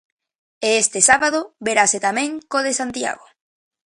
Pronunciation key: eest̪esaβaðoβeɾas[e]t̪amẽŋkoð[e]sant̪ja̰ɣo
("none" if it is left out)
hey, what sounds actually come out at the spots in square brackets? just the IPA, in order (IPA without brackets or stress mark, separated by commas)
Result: e, e